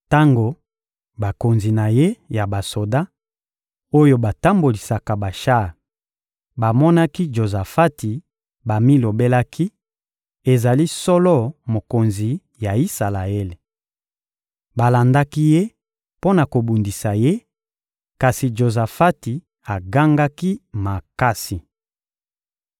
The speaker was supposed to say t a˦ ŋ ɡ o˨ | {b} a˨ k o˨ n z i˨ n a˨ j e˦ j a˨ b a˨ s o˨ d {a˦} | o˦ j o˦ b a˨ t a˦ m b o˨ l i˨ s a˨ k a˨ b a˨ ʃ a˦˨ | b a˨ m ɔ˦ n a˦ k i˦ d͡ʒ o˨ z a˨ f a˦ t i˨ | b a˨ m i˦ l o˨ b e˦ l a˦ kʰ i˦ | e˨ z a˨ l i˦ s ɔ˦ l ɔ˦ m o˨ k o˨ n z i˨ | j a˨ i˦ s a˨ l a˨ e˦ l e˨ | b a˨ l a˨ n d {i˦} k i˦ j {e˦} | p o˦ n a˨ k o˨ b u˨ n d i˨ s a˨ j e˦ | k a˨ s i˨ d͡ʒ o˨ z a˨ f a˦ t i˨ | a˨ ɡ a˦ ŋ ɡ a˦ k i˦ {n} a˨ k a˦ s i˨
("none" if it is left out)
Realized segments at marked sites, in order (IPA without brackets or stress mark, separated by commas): b, a˦, a˦, e˦, m